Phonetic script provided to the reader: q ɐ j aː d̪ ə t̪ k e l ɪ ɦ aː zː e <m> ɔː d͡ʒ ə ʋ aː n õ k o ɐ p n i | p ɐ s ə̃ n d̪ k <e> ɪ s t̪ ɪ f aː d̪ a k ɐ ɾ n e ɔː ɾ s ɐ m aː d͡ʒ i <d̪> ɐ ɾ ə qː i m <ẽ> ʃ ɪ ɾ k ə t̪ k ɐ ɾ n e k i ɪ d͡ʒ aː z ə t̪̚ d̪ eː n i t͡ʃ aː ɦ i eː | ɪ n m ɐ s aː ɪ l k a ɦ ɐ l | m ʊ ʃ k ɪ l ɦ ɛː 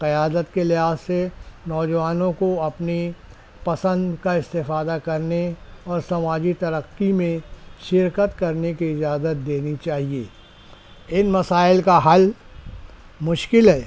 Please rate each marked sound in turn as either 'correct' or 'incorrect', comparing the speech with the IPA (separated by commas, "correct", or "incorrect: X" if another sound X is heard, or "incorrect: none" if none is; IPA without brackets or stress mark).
incorrect: n, incorrect: a, incorrect: t̪, correct